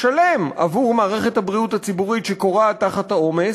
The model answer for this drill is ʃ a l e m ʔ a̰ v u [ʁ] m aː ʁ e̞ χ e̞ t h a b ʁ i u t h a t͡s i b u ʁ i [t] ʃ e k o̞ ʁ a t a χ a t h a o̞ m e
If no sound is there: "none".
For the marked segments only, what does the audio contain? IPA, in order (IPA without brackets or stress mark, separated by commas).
ʁ, t